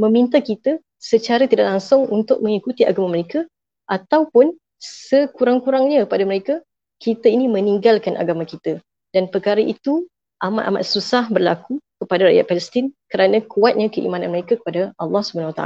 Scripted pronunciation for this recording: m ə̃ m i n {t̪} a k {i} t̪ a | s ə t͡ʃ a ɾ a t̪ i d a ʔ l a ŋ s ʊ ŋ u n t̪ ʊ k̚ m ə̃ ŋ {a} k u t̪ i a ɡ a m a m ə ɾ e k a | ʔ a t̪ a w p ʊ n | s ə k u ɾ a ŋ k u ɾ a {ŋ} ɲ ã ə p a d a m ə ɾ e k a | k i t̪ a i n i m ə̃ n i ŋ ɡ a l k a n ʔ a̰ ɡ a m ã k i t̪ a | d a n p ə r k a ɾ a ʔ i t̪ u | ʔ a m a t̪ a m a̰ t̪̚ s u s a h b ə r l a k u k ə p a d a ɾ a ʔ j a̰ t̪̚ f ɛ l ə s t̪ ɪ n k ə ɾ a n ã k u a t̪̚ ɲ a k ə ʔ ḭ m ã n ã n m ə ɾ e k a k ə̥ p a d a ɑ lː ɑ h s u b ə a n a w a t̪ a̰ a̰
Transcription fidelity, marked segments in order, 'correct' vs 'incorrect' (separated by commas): correct, correct, incorrect, correct